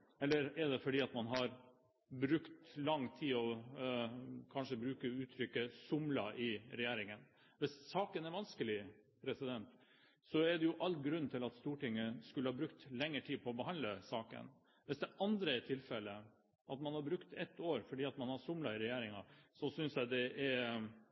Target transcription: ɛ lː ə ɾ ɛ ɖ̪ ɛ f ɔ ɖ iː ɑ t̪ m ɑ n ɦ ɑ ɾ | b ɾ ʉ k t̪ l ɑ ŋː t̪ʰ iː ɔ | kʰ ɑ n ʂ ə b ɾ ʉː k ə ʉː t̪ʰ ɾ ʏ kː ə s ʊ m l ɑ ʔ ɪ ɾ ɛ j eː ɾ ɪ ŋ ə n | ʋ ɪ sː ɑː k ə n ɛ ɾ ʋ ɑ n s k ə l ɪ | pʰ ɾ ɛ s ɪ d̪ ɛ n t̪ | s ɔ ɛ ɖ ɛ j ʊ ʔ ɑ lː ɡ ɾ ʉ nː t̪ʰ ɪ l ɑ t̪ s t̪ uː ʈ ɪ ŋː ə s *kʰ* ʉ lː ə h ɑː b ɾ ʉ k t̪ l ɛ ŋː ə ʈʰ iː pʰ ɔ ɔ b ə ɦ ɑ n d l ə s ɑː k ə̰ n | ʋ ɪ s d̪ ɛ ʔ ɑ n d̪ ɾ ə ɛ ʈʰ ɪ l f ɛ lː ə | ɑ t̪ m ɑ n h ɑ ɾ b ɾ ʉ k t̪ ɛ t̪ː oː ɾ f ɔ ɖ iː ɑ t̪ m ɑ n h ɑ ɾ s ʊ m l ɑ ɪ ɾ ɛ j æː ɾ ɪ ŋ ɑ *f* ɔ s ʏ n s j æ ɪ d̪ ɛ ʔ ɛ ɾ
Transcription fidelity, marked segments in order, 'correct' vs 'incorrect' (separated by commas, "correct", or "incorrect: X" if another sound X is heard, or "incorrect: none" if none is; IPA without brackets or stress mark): incorrect: k, incorrect: s